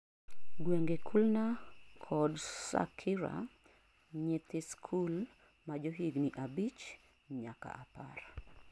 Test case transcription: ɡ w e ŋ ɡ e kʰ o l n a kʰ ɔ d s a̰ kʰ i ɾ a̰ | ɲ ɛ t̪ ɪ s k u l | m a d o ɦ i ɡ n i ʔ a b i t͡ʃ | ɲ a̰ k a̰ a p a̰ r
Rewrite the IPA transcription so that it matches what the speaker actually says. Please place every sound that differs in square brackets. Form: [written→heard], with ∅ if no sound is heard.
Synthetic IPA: ɡ w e ŋ ɡ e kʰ [o→u] l n a kʰ ɔ d s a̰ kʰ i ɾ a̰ | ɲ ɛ t̪ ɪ s [k→kʰ] u l | m a [d→d͡ʒ] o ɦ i ɡ n i ʔ a b i t͡ʃ | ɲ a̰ k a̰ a p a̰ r